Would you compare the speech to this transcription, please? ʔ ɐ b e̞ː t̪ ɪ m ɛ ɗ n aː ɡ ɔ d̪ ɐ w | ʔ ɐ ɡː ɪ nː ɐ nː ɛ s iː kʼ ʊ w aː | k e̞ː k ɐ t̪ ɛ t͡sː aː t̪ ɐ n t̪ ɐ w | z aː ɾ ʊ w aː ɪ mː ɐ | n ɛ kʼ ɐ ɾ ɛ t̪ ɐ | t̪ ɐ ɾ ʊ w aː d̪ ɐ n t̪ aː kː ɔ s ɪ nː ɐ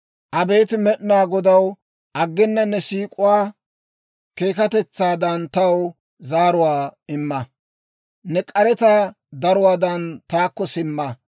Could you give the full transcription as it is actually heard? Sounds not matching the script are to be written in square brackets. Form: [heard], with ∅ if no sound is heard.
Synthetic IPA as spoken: ʔ ɐ b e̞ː t̪ ɪ m ɛ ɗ n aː ɡ ɔ d̪ ɐ w | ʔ ɐ ɡː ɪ nː ɐ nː ɛ s iː kʼ ʊ w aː | k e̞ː k ɐ t̪ ɛ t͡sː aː [d̪] ɐ n t̪ ɐ w | z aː ɾ ʊ w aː ɪ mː ɐ | n ɛ kʼ ɐ ɾ ɛ t̪ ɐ | [d̪] ɐ ɾ ʊ w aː d̪ ɐ n t̪ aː kː ɔ s ɪ [mː] ɐ